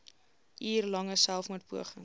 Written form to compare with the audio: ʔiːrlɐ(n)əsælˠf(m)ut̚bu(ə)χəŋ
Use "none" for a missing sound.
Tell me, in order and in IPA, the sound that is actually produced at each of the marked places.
ŋ, m, ə

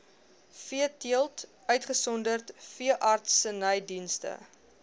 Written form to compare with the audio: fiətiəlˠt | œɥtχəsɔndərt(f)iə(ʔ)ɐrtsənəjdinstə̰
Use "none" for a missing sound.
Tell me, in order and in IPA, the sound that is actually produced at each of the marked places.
f, ʔ

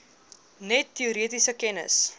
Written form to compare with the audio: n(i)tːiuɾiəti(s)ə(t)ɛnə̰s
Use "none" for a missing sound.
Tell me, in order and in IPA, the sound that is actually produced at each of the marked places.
ɛ, s, k

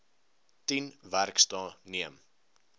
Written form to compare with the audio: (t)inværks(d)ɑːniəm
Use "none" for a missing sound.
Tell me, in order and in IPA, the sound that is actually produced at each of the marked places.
t, t

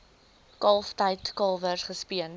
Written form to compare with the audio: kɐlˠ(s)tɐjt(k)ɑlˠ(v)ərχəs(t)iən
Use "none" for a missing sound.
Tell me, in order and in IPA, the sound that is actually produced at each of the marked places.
f, k, v, p

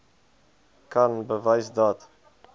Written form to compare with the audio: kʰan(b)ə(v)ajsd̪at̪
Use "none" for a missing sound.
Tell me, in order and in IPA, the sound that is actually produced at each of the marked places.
b, v

